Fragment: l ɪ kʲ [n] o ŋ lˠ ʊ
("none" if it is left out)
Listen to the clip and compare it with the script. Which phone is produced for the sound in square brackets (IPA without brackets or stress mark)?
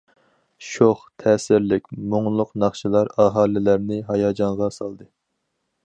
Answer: m